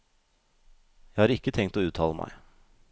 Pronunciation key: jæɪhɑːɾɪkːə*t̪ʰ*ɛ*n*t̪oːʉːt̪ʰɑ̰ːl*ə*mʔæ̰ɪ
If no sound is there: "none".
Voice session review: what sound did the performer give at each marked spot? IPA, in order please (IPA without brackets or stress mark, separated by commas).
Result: t̪ʰ, ŋ, ə